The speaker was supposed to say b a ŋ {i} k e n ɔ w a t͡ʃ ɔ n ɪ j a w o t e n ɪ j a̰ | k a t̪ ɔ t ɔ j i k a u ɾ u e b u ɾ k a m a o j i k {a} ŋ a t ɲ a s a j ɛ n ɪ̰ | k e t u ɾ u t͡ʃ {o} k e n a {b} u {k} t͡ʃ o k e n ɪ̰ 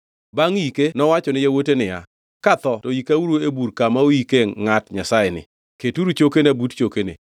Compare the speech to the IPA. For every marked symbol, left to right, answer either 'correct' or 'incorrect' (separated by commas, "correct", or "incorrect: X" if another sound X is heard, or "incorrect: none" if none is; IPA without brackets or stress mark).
correct, incorrect: e, correct, correct, incorrect: t